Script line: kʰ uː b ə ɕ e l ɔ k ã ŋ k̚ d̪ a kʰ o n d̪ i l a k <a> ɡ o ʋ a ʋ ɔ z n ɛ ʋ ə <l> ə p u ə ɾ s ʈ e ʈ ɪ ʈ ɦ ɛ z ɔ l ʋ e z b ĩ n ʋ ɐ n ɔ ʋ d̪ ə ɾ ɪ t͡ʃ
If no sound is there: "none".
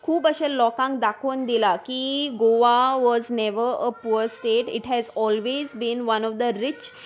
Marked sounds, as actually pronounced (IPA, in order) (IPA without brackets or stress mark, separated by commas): i, ɾ